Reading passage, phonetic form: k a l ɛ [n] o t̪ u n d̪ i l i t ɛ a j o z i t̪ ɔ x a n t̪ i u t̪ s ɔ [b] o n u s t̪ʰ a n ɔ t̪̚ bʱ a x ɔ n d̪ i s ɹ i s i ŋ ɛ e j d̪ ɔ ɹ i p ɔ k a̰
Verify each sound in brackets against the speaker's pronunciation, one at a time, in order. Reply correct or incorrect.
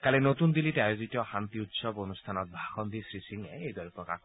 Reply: correct, correct

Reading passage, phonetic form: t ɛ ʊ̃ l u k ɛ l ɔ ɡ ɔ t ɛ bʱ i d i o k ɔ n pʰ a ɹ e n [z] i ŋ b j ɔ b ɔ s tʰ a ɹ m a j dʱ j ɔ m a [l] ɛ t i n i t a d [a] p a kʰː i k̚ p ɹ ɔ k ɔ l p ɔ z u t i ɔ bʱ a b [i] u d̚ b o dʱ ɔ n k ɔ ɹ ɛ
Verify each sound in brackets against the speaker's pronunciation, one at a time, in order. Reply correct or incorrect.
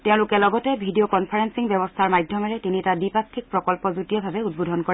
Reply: incorrect, incorrect, incorrect, incorrect

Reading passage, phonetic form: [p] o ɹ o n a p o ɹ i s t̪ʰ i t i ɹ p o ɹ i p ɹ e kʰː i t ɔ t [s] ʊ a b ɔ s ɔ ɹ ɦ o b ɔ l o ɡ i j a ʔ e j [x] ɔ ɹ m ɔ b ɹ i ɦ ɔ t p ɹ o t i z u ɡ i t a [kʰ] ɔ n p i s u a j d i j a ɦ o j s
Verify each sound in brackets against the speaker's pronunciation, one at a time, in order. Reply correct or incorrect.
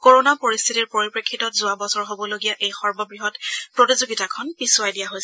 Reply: incorrect, incorrect, correct, correct

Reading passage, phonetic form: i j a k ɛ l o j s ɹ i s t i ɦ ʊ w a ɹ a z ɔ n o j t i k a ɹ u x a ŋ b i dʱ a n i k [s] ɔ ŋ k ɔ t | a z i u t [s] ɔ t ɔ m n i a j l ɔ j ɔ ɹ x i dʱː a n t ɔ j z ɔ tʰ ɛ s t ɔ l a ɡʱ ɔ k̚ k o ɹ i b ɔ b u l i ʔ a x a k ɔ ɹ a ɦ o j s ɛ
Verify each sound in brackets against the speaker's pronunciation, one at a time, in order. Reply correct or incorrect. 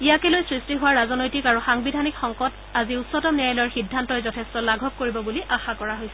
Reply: incorrect, correct

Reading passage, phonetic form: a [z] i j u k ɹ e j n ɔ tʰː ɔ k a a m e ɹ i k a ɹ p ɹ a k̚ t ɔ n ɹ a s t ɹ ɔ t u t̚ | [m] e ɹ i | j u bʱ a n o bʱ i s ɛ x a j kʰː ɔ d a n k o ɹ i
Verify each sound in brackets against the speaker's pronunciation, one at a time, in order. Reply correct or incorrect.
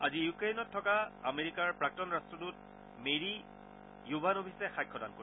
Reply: correct, correct

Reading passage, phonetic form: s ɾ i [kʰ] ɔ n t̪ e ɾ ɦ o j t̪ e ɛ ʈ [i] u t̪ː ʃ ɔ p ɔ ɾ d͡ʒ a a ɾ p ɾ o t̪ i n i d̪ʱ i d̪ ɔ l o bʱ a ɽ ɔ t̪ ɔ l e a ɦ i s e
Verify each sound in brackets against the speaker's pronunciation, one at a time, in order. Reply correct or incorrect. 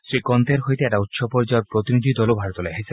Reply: incorrect, incorrect

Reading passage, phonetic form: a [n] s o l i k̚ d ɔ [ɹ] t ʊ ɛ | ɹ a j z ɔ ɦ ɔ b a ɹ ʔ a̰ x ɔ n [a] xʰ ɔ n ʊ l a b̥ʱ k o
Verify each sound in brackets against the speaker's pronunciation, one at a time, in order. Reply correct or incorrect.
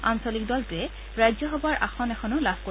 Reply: correct, incorrect, incorrect

